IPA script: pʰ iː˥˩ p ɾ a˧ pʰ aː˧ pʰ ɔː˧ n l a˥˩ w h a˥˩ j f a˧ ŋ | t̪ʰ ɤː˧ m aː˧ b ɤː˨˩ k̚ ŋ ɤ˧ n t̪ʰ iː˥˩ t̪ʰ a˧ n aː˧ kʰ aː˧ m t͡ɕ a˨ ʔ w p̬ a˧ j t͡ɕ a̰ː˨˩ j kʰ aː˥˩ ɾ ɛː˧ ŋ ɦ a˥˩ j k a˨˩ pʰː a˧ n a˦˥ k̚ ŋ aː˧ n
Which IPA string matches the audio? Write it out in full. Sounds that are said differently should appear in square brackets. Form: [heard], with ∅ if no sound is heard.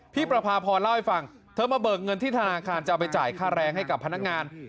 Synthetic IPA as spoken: pʰ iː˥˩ p ɾ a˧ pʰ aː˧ pʰ ɔː˧ n l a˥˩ w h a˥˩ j f a˧ ŋ | t̪ʰ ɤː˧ m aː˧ b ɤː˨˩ k̚ ŋ ɤ˧ n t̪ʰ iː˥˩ t̪ʰ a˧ n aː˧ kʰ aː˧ [n] t͡ɕ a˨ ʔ w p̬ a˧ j t͡ɕ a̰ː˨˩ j kʰ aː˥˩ ɾ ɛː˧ ŋ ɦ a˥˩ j k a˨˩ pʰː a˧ n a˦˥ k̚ ŋ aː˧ n